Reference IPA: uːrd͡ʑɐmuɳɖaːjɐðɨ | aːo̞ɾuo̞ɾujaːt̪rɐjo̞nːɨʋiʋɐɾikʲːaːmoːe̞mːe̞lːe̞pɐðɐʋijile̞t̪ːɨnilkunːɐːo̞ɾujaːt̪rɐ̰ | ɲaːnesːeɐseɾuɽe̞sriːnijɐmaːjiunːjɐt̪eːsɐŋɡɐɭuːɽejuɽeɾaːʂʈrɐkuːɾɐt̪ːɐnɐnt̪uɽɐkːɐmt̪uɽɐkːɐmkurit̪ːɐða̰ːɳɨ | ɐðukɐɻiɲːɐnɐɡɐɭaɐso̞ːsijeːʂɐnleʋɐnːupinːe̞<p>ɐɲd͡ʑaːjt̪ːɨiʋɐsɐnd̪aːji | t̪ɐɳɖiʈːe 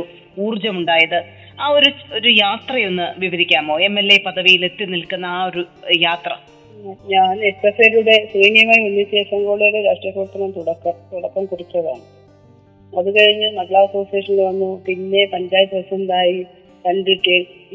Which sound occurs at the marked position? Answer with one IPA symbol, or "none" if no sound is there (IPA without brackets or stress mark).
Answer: p